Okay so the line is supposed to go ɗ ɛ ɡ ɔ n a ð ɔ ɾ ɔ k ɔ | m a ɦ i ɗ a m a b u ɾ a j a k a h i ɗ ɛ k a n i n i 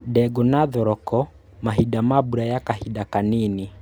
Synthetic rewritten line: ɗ ɛ ɡ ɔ n a ð ɔ ɾ ɔ k ɔ | m a ɦ i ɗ a m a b u ɾ a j a k a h i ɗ a k a n i n i